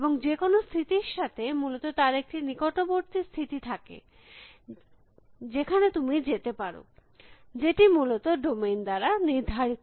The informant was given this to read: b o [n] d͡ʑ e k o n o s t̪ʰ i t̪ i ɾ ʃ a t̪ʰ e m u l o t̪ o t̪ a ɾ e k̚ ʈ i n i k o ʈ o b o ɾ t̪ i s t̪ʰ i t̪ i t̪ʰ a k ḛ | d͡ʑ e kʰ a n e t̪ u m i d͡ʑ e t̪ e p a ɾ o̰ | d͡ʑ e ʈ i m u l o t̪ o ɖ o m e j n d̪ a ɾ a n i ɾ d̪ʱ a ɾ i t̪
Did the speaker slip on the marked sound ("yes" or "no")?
yes